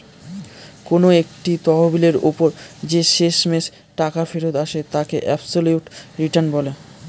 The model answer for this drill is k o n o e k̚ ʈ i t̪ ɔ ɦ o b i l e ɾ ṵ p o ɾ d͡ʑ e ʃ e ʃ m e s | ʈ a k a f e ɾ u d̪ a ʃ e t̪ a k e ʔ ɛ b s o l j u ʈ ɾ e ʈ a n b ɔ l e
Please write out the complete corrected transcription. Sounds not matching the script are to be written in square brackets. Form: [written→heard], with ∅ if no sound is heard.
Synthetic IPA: k o n o e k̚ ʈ i t̪ ɔ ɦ o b i l e ɾ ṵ p o ɾ d͡ʑ e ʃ e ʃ m e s | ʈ a k a f e ɾ [u→o] d̪ a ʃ e t̪ a k e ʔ ɛ b s o l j u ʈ ɾ [e→i] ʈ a n b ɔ l e